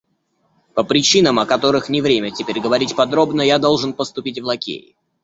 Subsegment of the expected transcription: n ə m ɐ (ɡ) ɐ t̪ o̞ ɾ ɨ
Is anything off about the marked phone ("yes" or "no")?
yes